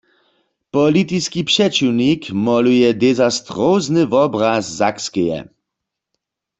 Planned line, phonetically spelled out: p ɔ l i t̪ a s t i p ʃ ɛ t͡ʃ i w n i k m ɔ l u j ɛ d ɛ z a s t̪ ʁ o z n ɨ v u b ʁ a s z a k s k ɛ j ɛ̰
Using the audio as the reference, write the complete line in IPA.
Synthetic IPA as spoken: p ɔ l i t̪ i s k i p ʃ ɛ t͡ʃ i w n i k m ɔ l u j ɛ d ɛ z a s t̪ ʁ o z n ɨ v ɔ b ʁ a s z a k s k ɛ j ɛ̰